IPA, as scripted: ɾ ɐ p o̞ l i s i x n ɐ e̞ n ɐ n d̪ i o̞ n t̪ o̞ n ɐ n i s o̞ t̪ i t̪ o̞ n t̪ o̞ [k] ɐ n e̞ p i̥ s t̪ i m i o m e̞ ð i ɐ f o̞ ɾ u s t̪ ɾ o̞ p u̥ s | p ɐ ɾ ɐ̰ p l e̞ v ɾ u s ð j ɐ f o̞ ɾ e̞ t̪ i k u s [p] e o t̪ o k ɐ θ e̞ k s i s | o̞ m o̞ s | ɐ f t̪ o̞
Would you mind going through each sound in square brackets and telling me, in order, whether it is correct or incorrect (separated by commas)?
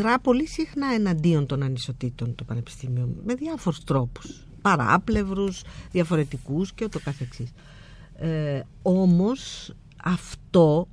incorrect, incorrect